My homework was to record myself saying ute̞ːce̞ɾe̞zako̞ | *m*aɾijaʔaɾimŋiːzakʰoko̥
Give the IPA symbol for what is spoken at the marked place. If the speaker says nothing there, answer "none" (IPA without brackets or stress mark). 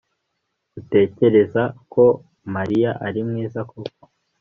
m